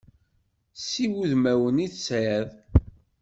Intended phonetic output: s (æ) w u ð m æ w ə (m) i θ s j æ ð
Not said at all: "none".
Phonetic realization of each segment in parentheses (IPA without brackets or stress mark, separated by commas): i, n